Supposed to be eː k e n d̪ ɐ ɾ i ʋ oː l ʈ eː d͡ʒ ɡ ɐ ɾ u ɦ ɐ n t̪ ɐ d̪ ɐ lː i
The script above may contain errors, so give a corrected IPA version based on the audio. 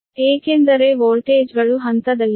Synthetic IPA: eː k e n d̪ ɐ ɾ e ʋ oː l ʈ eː d͡ʒ ɡ ɐ ɭ u ɦ ɐ n t̪ ɐ d̪ ɐ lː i